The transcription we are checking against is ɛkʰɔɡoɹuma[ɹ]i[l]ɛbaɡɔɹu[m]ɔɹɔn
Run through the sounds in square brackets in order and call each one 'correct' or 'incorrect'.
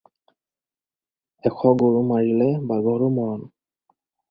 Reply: correct, correct, correct

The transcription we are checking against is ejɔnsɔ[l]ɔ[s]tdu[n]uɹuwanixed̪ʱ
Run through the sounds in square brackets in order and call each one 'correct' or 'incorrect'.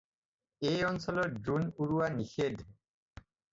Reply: correct, incorrect: none, correct

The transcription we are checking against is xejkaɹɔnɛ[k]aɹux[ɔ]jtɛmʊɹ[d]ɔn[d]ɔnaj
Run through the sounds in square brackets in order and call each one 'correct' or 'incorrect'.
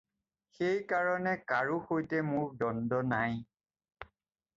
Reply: correct, incorrect: o, correct, correct

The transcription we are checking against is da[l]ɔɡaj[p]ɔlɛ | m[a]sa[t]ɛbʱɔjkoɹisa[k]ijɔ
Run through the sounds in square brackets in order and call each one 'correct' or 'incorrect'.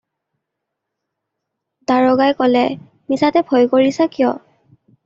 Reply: incorrect: ɹ, incorrect: k, incorrect: i, correct, correct

